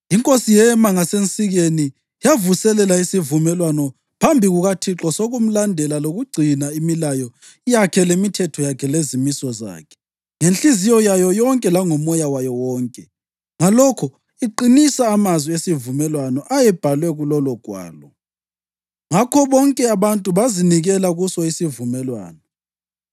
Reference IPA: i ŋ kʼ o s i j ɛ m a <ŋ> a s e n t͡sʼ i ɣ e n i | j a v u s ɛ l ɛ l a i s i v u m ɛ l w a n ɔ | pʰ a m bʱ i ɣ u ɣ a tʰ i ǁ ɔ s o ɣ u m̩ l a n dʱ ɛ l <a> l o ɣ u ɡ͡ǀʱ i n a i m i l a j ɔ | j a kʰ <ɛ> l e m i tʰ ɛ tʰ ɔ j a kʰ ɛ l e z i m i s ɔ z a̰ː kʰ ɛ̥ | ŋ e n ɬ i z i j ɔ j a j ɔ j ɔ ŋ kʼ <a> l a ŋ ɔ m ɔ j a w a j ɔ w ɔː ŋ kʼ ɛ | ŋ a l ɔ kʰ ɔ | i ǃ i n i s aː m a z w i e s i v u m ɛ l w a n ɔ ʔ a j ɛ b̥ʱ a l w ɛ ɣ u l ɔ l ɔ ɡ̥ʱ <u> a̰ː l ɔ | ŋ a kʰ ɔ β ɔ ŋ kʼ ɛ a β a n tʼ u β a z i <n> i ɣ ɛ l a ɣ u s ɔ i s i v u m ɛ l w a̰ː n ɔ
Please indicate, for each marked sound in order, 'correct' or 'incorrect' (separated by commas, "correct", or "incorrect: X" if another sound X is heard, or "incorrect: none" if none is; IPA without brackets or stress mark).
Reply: correct, correct, correct, incorrect: ɛ, incorrect: w, correct